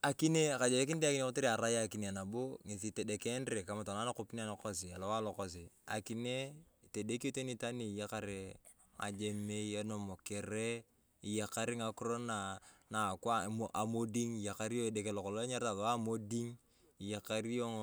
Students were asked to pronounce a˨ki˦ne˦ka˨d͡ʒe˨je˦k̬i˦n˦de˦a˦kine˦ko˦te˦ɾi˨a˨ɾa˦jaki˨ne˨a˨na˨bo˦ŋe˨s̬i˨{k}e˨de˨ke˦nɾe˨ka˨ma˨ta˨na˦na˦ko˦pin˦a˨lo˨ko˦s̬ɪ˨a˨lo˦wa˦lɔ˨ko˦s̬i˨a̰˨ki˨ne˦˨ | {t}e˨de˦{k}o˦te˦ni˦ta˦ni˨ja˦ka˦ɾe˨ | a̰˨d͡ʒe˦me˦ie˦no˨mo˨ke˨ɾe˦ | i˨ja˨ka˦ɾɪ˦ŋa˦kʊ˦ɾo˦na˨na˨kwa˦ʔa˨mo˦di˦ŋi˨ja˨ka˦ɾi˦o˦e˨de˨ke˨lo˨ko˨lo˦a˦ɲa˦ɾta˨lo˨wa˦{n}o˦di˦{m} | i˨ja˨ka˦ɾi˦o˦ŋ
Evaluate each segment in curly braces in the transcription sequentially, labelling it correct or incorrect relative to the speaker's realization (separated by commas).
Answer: incorrect, correct, correct, incorrect, incorrect